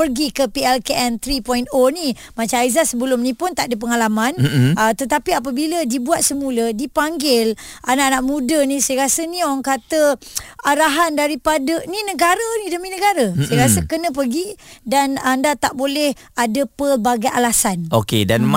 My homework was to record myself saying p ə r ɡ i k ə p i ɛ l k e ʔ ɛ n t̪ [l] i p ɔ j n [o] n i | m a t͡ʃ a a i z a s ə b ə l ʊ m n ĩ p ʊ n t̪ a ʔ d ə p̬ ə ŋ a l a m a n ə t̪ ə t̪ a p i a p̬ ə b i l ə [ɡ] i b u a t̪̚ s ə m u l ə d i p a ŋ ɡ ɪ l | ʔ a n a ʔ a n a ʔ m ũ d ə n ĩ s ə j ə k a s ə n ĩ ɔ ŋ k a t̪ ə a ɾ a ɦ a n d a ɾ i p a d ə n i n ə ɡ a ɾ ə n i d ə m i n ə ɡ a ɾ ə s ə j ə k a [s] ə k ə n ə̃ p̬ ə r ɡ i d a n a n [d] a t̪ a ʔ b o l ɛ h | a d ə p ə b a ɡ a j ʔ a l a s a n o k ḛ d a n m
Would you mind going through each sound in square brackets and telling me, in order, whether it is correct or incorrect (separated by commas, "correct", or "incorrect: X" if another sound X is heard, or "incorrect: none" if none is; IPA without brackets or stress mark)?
incorrect: ɾ, correct, incorrect: d, correct, correct